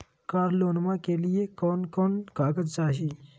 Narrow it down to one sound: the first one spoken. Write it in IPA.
k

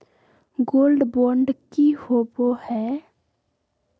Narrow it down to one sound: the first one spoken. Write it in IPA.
ɡ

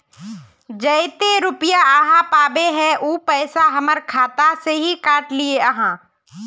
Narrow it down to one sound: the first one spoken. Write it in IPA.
d͡ʒ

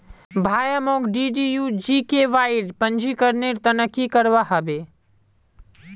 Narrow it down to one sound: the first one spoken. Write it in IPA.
bʱ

